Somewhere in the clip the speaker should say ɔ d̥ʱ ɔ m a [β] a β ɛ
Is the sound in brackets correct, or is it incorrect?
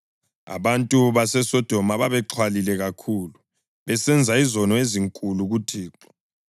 correct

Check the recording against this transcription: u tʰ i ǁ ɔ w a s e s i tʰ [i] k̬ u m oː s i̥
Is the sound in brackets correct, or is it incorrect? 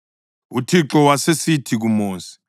correct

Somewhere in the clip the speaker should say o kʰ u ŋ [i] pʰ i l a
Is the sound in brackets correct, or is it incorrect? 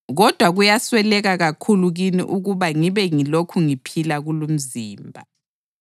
correct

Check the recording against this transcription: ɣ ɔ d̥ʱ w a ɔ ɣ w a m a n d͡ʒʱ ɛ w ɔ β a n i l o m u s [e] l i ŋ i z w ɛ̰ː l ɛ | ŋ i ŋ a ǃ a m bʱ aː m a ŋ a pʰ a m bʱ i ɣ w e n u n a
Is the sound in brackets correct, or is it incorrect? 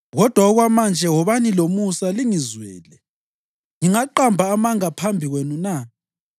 incorrect: a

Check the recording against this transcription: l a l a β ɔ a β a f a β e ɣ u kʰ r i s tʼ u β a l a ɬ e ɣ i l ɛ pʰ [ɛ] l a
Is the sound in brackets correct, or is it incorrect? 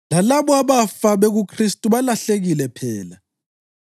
incorrect: ɛː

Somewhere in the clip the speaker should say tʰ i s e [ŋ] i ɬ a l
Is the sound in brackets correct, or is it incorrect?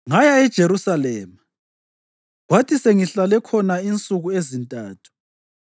correct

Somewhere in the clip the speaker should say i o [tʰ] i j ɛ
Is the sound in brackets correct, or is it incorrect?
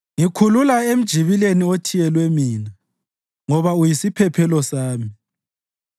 correct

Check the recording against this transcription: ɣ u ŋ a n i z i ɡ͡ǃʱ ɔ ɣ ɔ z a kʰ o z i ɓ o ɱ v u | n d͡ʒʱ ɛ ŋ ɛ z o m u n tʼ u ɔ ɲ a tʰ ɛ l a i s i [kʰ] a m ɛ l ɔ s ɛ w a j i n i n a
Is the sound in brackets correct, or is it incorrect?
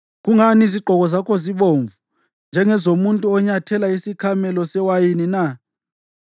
correct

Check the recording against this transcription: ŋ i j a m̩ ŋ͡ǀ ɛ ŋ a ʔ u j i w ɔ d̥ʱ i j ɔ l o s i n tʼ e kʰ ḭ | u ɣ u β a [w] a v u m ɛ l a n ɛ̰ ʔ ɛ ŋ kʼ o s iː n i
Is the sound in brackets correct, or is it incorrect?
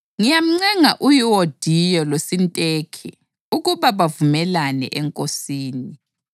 incorrect: β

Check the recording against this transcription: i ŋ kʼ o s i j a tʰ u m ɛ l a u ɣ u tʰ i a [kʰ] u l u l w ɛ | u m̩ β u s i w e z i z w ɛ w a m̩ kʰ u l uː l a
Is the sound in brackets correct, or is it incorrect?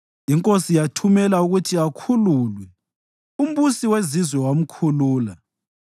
correct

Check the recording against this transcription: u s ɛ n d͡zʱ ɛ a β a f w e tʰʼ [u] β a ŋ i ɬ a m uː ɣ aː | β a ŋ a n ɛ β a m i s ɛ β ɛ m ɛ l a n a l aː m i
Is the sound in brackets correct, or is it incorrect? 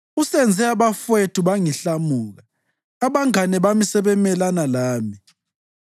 correct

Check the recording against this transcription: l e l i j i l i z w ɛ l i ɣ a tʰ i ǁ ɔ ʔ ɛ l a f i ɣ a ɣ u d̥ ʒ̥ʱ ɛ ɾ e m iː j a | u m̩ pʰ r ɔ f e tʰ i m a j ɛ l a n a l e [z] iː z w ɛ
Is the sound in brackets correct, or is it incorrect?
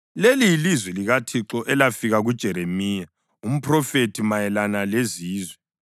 correct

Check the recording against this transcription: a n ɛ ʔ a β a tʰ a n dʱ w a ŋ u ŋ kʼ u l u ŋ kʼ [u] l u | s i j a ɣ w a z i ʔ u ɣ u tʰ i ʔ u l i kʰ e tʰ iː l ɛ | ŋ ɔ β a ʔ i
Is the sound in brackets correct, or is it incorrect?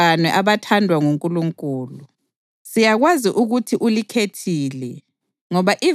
incorrect: uː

